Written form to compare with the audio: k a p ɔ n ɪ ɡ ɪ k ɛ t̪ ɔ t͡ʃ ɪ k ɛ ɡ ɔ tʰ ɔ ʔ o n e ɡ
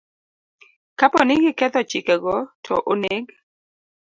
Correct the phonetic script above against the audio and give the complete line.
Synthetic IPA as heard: k a p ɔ n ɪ ɡ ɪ k ɛ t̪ ɔ t͡ʃ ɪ k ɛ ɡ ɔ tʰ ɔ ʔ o n e ɡ